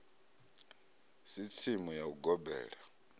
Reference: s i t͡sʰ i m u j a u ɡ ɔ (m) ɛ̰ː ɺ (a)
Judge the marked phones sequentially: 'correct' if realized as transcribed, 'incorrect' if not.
incorrect: b, correct

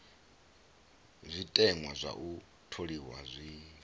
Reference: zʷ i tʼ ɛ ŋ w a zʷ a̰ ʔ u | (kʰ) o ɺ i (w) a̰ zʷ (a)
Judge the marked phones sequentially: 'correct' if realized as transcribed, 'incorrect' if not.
incorrect: tʰ, correct, incorrect: i

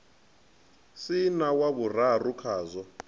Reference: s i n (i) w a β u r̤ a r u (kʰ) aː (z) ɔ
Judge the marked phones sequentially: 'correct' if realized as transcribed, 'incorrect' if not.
incorrect: a, correct, correct

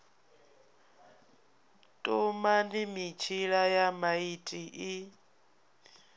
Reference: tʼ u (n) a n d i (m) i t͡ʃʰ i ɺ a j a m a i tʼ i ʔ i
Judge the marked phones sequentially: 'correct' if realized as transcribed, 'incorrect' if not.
incorrect: m, correct

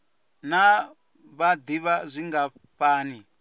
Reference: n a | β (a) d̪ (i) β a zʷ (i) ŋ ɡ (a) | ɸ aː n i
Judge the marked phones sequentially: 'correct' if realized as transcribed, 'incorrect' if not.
correct, correct, correct, correct

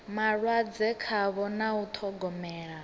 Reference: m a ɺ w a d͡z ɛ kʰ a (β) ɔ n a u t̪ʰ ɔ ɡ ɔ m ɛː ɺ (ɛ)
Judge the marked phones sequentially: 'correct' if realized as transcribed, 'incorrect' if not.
correct, incorrect: a

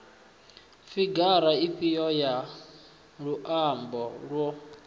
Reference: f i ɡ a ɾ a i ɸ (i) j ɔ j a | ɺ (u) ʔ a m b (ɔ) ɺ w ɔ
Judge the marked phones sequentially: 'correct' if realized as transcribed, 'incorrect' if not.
correct, correct, correct

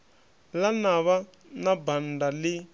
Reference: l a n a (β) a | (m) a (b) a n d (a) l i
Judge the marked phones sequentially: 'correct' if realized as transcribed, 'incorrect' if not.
correct, incorrect: n, correct, correct

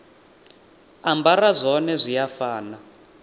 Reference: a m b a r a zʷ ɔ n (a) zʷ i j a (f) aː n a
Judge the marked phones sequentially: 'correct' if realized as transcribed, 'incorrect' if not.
incorrect: ɛ, correct

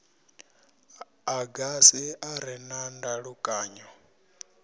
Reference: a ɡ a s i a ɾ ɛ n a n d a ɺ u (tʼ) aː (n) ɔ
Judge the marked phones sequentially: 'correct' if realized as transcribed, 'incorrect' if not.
incorrect: kʼ, incorrect: ɲ

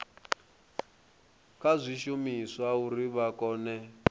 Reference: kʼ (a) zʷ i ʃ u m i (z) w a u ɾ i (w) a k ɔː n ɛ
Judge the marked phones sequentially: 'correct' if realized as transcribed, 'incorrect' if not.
correct, incorrect: s, incorrect: β

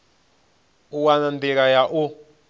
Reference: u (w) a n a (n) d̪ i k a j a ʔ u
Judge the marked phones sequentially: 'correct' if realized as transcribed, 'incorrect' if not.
correct, correct

